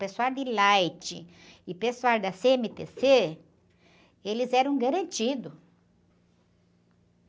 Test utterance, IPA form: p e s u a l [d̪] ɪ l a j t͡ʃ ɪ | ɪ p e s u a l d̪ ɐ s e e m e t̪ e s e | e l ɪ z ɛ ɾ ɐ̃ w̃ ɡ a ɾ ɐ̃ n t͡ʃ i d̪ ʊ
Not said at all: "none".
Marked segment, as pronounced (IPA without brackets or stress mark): d̪